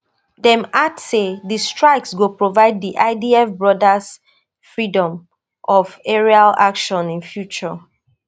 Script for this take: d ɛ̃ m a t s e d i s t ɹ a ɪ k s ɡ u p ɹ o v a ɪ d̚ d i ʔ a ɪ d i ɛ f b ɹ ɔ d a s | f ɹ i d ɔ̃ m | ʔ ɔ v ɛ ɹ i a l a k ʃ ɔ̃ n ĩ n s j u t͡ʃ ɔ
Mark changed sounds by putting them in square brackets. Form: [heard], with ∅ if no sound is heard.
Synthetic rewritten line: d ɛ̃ m a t s e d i s t ɹ a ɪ k s ɡ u p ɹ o v a ɪ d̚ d i ʔ a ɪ d i ɛ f b ɹ ɔ d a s | f ɹ i d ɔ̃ m | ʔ ɔ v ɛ ɹ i a l a k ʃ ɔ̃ n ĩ n [f] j u t͡ʃ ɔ